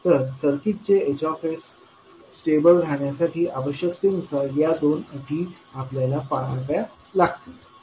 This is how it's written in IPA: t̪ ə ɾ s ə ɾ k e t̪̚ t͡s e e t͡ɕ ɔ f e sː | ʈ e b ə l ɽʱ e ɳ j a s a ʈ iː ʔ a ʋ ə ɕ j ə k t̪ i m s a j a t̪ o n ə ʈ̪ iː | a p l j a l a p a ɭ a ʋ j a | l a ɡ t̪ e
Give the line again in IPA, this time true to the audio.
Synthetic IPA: t̪ ə ɾ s ə ɾ k i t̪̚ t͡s e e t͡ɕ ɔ f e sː | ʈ e b ə l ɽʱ a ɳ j a s a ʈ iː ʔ a ʋ ə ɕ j ə k t̪ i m s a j a d̪ o n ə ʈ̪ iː | a p l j a l a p a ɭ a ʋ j a | l a ɡ t̪ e